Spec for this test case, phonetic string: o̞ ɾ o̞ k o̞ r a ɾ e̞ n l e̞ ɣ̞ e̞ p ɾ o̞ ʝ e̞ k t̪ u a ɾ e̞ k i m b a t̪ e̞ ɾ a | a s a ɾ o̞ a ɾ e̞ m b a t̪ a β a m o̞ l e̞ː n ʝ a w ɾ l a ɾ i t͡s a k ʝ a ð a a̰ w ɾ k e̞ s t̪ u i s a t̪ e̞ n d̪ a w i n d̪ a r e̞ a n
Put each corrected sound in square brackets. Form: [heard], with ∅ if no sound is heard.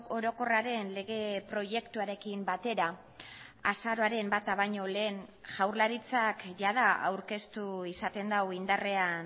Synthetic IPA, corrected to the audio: o̞ ɾ o̞ k o̞ r a ɾ e̞ n l e̞ ɣ̞ e̞ p ɾ o̞ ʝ e̞ k t̪ u a ɾ e̞ k i m b a t̪ e̞ ɾ a | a s a ɾ o̞ a ɾ e̞ m b a t̪ a β a [ɲ] o̞ l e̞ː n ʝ a w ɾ l a ɾ i t͡s a k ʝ a ð a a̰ w ɾ k e̞ s t̪ u i s a t̪ e̞ n d̪ a w i n d̪ a r e̞ a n